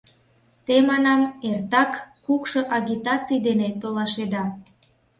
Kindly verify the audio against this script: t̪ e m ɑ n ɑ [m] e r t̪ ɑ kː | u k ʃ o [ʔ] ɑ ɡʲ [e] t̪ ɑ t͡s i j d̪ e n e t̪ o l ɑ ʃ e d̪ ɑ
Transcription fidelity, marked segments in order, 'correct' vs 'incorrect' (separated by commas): correct, correct, incorrect